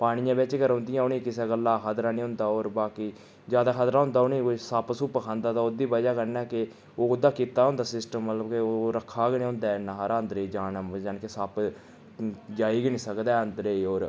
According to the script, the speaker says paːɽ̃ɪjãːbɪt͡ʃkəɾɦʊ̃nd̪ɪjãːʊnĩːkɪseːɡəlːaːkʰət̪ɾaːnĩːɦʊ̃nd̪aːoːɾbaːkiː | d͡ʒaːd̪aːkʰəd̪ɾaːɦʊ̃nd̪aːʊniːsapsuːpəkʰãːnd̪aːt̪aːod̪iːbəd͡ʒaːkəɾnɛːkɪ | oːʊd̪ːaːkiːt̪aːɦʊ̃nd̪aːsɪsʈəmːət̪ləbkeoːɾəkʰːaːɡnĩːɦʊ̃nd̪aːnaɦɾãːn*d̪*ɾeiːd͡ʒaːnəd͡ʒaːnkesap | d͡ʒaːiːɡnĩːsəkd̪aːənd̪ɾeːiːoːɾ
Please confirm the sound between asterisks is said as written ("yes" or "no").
yes